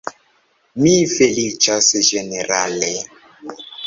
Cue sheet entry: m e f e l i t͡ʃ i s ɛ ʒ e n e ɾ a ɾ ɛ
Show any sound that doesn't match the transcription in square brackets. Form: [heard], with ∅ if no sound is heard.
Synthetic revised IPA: m [i] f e l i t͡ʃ [a] s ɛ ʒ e n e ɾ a [l] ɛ